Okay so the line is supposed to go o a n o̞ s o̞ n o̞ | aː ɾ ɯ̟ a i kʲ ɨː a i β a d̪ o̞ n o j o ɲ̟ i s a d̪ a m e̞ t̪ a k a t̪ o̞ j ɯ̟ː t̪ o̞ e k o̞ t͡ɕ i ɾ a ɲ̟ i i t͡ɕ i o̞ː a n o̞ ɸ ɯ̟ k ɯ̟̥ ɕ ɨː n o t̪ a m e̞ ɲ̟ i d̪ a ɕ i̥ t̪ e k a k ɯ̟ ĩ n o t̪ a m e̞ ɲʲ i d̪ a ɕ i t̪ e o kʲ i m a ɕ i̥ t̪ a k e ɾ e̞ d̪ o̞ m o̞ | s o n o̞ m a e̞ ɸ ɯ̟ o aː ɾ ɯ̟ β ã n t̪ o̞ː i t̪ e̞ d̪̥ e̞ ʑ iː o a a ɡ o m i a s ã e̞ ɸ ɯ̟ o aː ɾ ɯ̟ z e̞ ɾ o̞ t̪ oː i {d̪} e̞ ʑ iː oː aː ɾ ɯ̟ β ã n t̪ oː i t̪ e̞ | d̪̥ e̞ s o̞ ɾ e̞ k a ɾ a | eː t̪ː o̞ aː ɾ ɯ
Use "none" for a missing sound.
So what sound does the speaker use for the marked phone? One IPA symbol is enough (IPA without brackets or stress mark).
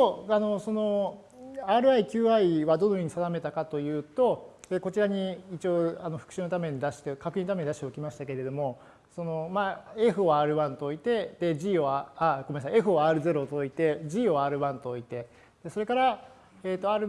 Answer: t̪